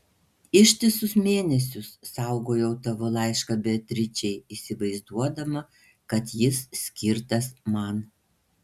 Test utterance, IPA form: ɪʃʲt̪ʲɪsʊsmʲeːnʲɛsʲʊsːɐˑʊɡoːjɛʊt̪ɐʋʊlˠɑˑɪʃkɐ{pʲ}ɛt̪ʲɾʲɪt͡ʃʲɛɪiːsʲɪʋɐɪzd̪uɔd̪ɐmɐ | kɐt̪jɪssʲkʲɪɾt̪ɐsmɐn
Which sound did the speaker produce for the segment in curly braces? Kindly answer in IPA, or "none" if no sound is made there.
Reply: bʲ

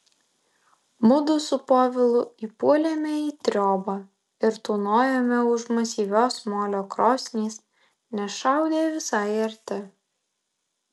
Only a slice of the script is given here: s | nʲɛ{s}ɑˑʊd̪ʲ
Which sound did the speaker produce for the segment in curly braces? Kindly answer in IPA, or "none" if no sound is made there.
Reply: ʃ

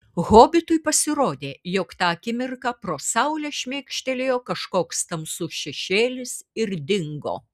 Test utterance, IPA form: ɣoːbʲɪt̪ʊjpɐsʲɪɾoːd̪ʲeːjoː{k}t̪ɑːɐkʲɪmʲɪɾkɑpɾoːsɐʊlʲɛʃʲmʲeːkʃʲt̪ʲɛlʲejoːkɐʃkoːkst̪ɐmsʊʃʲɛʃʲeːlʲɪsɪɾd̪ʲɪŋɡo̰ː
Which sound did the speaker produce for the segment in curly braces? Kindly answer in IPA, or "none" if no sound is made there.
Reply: k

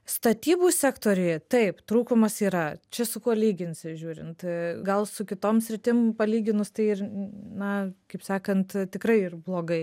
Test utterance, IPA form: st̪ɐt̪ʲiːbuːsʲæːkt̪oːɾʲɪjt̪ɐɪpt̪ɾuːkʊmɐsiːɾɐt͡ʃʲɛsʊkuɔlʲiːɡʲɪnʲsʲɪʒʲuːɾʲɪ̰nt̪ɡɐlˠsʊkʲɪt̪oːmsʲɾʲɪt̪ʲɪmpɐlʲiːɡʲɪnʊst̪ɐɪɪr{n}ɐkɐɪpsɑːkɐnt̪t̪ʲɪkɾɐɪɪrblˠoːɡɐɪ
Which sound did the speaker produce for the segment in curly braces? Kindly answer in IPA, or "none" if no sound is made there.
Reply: n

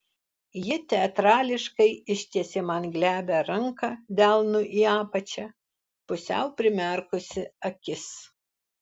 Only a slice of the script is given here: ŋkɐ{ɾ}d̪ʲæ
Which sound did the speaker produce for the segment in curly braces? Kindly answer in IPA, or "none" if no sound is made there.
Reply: none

